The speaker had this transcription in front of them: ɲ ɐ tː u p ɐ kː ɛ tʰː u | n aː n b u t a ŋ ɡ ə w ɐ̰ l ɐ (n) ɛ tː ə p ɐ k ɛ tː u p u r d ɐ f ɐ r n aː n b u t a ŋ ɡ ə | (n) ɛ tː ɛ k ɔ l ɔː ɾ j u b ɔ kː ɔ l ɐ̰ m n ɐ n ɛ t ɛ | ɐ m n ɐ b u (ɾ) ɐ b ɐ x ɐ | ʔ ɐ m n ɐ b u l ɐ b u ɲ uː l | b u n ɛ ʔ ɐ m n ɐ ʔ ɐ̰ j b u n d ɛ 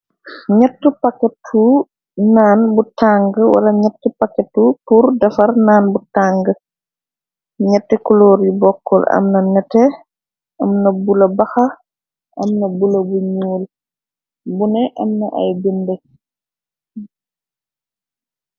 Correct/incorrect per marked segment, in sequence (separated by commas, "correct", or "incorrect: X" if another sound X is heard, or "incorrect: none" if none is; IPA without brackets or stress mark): incorrect: ɲ, incorrect: ɲ, incorrect: l